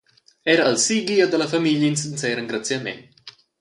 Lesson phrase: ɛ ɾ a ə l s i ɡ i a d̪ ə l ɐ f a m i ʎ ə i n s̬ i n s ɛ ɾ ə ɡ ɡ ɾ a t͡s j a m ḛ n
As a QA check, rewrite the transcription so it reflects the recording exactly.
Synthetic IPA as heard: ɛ ɾ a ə l s i ɡ i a d̪ ə l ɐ f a m i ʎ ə i n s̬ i n s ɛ ɾ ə ŋ ɡ ɾ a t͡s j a m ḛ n